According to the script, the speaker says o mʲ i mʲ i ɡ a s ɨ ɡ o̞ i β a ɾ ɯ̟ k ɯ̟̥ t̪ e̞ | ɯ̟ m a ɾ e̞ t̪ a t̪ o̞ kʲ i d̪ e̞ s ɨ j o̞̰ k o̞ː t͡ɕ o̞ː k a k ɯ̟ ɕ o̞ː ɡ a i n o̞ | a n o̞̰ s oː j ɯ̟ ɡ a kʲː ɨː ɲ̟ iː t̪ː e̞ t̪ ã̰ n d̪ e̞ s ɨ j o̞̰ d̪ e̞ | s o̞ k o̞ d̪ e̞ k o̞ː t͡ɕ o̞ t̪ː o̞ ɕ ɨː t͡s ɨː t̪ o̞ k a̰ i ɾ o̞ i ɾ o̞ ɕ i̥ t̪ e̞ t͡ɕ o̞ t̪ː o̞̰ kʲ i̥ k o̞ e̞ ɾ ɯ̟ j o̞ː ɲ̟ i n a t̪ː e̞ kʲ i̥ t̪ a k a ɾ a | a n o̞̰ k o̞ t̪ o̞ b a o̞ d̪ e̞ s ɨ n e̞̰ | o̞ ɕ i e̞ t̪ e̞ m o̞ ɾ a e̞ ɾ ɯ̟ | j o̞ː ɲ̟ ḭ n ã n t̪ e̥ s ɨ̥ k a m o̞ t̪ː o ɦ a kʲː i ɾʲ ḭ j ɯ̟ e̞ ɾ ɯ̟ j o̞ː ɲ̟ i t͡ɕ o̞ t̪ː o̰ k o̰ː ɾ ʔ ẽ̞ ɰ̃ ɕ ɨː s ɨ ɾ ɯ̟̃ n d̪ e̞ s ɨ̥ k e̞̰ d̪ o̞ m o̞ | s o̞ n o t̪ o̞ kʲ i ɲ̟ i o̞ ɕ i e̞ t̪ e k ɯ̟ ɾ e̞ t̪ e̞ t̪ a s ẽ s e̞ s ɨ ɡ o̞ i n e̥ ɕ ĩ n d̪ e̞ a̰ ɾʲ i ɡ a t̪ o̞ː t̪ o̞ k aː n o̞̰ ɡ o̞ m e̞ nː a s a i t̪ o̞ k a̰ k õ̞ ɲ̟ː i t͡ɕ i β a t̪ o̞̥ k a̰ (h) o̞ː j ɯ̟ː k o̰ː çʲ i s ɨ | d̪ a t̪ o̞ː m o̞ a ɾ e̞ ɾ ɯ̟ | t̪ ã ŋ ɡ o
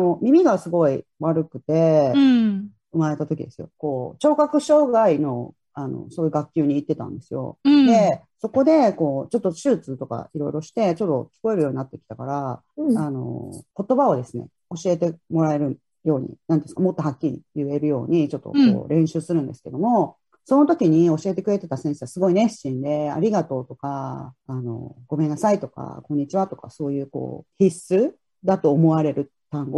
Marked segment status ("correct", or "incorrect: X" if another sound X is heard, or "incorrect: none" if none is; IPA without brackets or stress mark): incorrect: s